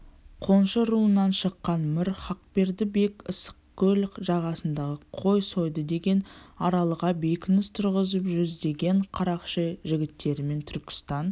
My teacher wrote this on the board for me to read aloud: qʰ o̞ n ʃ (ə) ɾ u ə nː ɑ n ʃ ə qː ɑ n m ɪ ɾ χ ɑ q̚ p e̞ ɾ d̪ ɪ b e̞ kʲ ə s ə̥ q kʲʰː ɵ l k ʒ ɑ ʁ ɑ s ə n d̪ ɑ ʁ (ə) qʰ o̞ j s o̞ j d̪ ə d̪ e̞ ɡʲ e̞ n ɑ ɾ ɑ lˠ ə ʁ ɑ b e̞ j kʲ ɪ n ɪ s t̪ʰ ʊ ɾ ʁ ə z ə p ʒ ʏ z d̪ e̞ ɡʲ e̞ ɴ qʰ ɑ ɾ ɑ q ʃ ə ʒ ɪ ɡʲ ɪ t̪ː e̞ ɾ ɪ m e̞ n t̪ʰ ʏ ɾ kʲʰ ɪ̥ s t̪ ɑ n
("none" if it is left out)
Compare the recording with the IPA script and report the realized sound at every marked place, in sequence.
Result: ə, ə

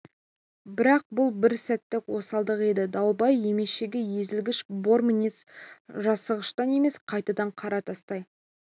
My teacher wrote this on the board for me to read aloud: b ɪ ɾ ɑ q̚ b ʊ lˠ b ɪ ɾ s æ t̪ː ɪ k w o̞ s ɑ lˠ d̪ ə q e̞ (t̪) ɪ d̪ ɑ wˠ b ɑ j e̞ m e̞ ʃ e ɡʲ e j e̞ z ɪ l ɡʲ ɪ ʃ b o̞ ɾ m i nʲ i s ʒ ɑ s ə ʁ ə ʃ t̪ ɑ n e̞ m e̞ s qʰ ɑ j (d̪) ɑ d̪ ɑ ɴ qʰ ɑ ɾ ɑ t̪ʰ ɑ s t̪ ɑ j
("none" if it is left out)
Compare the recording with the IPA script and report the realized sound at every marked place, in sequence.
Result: d̪, t̪

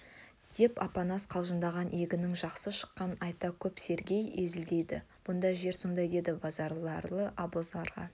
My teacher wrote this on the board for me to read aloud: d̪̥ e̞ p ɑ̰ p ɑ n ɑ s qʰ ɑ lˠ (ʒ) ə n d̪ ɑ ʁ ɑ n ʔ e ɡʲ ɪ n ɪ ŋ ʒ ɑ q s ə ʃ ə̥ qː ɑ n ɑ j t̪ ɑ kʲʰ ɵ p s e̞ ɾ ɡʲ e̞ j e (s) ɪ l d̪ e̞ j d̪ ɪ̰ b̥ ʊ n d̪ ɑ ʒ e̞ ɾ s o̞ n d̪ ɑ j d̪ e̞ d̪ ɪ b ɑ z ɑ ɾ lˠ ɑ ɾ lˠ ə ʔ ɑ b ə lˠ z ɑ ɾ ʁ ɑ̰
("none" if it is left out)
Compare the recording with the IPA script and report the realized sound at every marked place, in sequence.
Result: ʒ, z

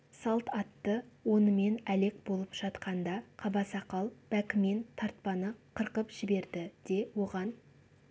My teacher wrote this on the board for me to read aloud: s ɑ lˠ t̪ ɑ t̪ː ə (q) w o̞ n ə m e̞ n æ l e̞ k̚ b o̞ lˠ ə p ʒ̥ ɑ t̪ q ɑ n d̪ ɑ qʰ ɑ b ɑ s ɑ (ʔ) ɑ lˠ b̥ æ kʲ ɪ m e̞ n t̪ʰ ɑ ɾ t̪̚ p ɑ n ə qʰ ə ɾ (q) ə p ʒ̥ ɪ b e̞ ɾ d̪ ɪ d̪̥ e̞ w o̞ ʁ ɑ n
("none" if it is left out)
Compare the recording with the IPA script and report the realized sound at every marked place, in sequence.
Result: none, q, q

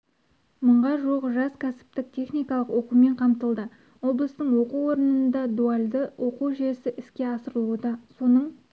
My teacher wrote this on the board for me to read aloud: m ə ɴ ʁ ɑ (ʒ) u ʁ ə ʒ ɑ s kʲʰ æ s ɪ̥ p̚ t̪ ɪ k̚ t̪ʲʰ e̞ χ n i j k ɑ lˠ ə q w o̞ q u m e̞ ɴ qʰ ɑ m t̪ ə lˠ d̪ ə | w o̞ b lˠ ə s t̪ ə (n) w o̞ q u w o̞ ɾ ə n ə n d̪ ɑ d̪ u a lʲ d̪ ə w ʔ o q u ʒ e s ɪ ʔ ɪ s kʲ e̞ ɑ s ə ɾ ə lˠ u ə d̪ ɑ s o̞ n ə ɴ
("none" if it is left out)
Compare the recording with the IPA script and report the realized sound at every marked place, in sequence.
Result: ʒ, ɴ

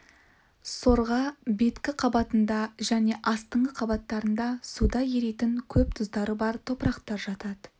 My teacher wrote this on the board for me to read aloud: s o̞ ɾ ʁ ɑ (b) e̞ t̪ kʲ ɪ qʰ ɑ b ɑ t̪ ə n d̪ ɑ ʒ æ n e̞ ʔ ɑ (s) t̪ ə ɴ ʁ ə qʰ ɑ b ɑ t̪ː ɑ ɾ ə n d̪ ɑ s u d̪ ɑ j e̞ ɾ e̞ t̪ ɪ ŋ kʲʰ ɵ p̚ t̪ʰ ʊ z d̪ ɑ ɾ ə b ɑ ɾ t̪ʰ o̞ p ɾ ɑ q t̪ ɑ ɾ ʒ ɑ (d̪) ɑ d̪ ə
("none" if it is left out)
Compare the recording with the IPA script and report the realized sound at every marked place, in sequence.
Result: b, s, t̪

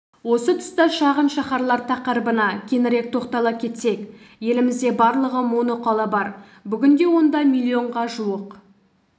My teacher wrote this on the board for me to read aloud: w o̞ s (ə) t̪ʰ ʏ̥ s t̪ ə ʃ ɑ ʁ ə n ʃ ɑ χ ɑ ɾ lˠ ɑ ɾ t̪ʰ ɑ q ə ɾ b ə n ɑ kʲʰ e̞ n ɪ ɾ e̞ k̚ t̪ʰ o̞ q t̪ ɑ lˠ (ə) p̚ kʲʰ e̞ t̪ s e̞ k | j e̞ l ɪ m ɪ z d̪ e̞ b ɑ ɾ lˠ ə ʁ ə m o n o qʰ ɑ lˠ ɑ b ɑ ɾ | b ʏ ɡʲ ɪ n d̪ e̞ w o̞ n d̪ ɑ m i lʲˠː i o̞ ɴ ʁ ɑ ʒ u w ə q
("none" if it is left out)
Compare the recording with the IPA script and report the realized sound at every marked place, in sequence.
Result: ə, ɑ

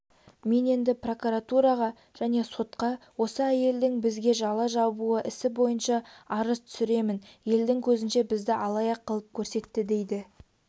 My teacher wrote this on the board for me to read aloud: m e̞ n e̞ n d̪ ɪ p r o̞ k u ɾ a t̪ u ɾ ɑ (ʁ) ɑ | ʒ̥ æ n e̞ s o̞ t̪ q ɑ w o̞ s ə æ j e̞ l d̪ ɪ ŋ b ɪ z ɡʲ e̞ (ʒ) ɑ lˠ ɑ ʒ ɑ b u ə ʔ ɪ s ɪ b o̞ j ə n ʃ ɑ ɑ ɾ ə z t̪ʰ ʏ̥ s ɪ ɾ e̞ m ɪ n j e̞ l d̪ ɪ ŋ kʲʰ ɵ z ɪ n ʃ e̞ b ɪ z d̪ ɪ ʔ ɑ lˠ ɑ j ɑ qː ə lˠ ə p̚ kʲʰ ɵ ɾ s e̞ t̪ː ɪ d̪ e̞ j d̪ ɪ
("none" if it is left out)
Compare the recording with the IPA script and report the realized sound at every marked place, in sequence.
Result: ʁ, ʒ

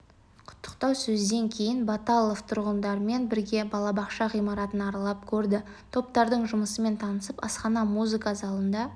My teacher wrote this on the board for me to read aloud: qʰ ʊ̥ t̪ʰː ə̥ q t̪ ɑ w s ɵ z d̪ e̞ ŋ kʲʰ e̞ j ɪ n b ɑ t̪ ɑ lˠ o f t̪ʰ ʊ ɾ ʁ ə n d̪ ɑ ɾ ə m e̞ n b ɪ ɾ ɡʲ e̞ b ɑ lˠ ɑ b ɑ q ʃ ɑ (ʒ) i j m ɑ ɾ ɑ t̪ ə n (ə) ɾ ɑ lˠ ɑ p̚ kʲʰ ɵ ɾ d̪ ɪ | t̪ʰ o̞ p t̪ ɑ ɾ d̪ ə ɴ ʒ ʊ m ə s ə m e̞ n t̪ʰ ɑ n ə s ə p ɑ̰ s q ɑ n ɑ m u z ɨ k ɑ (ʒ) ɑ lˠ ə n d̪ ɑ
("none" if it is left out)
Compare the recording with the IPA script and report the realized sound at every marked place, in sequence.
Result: ʁ, ɑ, z

